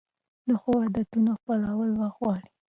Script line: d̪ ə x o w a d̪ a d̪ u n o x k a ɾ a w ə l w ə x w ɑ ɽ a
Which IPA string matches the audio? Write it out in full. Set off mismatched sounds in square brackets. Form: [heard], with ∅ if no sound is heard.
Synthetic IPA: d̪ ə x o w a d̪ a [t̪] u n o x [p] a [l] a w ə l w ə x w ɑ ɽ [i]